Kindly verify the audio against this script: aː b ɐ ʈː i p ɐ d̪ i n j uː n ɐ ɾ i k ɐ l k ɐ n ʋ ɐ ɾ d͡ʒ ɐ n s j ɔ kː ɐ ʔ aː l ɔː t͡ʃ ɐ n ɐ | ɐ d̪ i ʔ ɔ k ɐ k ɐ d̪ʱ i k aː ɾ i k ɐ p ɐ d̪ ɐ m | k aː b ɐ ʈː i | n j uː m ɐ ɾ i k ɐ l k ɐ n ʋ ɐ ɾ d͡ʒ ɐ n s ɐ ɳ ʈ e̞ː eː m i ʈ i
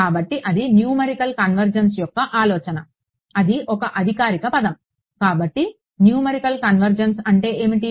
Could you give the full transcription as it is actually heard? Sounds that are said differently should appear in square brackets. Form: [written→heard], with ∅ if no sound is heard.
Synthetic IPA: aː b ɐ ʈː i [p→ʔ] ɐ d̪ i n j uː [n→m] ɐ ɾ i k ɐ l k ɐ n ʋ ɐ ɾ d͡ʒ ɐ n s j ɔ kː ɐ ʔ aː l ɔː t͡ʃ ɐ n ɐ | ɐ d̪ i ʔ ɔ k ɐ [k→ʔ] ɐ d̪ʱ i k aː ɾ i k ɐ p ɐ d̪ ɐ m | k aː b ɐ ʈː i | n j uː m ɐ ɾ i k ɐ l k ɐ n ʋ ɐ ɾ d͡ʒ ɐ n s ɐ ɳ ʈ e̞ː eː m i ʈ i

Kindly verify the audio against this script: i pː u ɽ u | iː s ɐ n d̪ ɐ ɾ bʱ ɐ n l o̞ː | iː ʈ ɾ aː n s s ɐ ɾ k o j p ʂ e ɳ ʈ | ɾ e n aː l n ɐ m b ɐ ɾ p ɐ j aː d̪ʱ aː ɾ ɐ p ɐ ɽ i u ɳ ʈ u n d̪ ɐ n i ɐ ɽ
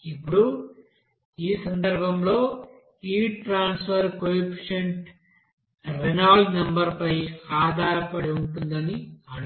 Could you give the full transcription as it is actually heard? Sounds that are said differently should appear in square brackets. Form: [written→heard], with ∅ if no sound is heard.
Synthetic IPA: i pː u ɽ u | iː s ɐ n d̪ ɐ ɾ bʱ ɐ [n→m] l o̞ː | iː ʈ ɾ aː n s [s→f] ɐ ɾ k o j p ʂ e ɳ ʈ | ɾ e n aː l n ɐ m b ɐ ɾ p ɐ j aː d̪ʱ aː ɾ ɐ p ɐ ɽ i u ɳ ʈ u n d̪ ɐ n i ɐ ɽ

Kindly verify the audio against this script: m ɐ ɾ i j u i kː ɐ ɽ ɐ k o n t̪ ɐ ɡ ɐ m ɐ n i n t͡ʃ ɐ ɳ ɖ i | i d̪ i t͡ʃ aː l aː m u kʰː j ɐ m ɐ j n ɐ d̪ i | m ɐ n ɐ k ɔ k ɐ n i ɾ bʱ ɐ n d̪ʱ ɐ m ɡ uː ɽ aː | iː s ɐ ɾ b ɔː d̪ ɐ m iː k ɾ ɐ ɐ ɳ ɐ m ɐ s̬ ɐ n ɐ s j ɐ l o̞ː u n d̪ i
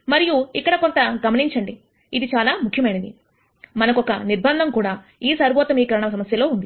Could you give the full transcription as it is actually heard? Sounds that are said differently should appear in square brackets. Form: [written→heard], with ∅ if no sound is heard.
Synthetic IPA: m ɐ ɾ i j u i kː ɐ ɽ ɐ k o n t̪ ɐ ɡ ɐ m ɐ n i [n→ɲ] t͡ʃ ɐ ɳ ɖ i | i d̪ i t͡ʃ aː l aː m u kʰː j ɐ m ɐ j n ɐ d̪ i | m ɐ n ɐ k ɔ k ɐ n i ɾ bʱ ɐ n d̪ʱ ɐ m [ɡ→k] uː ɽ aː | iː s ɐ ɾ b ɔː [d̪→t̪] ɐ m iː k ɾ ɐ ɐ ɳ ɐ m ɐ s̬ ɐ [n→m] ɐ s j ɐ l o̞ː u n d̪ i

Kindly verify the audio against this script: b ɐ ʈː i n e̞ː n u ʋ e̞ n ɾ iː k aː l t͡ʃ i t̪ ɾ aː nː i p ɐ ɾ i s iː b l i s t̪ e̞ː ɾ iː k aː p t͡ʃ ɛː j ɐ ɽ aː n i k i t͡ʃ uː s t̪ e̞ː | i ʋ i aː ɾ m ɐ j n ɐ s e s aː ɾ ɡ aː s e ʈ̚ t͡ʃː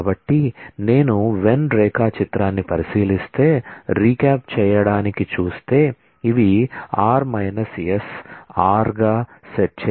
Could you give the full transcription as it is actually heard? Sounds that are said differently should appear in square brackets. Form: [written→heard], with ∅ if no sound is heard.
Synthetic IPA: b ɐ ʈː i n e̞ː n u ʋ e̞ n ɾ [iː→ɛː] k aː [l→∅] t͡ʃ i t̪ ɾ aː nː i p ɐ ɾ i s iː [b→∅] l i s t̪ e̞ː ɾ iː k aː p t͡ʃ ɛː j ɐ ɽ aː n i k i t͡ʃ uː s t̪ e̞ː | i ʋ i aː ɾ m ɐ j n ɐ s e s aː ɾ ɡ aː s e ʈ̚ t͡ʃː

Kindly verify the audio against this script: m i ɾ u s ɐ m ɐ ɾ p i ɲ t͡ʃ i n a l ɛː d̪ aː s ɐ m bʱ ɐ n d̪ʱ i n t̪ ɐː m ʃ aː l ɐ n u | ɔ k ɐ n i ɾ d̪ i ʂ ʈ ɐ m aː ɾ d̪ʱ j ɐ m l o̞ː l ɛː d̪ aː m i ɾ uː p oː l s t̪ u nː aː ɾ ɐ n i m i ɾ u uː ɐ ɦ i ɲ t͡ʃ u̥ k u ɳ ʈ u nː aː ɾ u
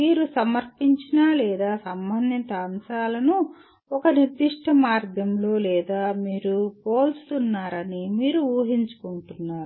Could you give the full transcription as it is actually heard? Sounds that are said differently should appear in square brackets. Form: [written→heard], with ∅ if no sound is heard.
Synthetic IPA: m [i→iː] ɾ u s ɐ m ɐ ɾ p i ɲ t͡ʃ i n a l ɛː d̪ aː s ɐ m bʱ ɐ n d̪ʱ i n t̪ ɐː m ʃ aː l ɐ n u | ɔ k ɐ n i ɾ d̪ i ʂ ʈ ɐ m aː ɾ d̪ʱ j ɐ m l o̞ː l ɛː d̪ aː m [i→iː] ɾ [uː→u] p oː l s t̪ u nː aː ɾ ɐ n i m [i→iː] ɾ u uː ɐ ɦ i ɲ t͡ʃ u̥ k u ɳ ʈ u nː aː ɾ u

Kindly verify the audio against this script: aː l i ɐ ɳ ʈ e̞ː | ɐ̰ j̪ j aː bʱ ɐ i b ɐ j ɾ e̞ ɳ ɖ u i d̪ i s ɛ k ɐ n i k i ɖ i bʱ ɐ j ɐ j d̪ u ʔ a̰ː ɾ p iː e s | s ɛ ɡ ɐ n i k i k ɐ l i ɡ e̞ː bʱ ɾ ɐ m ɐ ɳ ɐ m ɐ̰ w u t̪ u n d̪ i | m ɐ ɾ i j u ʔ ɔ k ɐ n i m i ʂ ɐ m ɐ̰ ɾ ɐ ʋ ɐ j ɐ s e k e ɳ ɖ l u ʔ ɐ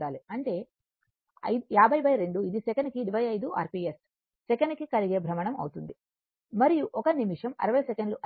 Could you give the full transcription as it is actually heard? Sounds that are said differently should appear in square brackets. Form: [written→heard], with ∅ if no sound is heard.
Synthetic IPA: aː l i ɐ ɳ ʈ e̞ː | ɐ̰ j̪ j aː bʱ ɐ [i→j] b ɐ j ɾ e̞ ɳ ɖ u i d̪ i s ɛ k ɐ n i k i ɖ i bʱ ɐ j ɐ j d̪ u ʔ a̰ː ɾ p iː e s | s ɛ [ɡ→k] ɐ n i k i k ɐ l i ɡ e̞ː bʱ ɾ ɐ m ɐ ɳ ɐ m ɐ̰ w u t̪ u n d̪ i | m ɐ ɾ i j u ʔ ɔ k ɐ n i m i ʂ ɐ m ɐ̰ ɾ ɐ ʋ ɐ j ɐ s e k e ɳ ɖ l u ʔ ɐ

